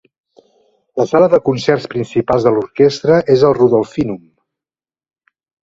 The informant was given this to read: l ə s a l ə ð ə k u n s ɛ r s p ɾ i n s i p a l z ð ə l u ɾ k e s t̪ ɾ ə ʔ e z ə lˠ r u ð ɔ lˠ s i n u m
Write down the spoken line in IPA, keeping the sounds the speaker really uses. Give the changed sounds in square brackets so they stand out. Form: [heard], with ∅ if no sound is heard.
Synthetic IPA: l ə s a l ə ð ə k u n s ɛ r s p ɾ i n s i p a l z ð ə l u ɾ k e s t̪ ɾ ə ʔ e z ə lˠ r u ð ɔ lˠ [f] i n u m